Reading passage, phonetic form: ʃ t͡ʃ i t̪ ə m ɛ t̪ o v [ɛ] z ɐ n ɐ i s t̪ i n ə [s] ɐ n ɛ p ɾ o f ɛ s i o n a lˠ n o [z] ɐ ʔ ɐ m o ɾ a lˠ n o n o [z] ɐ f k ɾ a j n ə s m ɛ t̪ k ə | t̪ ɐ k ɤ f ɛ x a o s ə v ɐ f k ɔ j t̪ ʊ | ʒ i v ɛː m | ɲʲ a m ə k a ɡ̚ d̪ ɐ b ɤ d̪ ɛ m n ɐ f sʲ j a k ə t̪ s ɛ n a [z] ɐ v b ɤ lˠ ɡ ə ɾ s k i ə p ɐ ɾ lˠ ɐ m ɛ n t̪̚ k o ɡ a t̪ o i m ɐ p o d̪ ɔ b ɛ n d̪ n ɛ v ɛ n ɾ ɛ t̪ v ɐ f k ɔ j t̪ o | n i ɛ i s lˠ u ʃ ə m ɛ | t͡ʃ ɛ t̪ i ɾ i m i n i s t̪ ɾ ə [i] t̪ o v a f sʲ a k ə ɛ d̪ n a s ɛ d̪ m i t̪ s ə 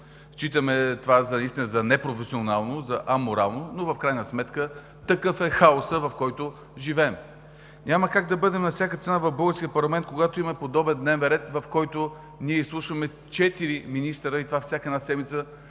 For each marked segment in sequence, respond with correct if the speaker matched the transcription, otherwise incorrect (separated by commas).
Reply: incorrect, incorrect, correct, incorrect, incorrect, correct